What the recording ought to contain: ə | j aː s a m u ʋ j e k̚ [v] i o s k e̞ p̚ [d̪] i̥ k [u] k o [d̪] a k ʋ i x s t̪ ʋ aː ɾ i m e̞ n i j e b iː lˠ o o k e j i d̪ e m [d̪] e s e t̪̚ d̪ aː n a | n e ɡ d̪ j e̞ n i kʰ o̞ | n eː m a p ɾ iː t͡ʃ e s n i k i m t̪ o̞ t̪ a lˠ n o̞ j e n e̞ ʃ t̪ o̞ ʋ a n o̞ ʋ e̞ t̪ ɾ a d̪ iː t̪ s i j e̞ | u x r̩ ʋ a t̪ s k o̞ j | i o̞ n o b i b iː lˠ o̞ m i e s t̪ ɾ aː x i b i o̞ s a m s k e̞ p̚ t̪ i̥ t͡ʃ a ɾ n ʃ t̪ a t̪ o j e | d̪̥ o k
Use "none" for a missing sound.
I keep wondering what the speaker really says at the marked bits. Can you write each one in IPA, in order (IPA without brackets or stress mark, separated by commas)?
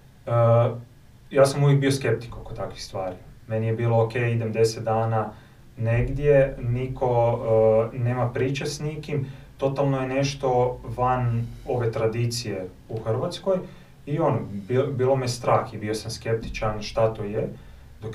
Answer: b, t̪, o, t̪, d̪